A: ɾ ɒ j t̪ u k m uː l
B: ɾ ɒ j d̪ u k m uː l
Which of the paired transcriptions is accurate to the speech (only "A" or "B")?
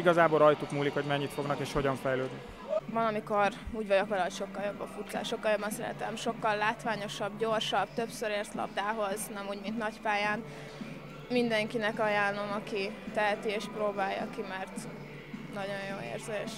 A